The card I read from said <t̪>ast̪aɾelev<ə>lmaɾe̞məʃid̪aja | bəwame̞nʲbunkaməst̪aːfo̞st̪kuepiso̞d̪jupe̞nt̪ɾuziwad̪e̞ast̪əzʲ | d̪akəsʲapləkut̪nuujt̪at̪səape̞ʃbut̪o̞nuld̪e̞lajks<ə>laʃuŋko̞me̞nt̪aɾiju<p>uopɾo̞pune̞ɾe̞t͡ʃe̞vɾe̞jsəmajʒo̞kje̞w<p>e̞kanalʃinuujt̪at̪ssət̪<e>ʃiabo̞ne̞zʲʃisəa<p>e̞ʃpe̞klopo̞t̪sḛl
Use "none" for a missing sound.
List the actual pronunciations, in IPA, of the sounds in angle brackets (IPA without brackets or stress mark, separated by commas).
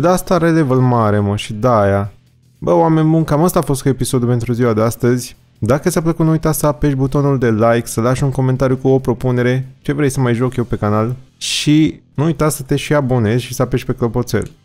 d̪, ə, ə, k, p, e, p